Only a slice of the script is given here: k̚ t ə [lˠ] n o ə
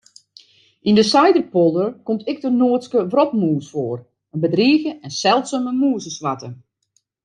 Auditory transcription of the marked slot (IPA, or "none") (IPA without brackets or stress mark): none